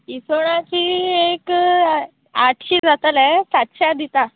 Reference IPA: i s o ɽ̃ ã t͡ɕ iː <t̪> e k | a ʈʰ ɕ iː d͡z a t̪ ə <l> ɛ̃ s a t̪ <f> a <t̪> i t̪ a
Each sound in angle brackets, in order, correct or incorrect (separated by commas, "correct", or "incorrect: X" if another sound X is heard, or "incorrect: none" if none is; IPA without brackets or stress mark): incorrect: none, correct, incorrect: ɕ, incorrect: d̪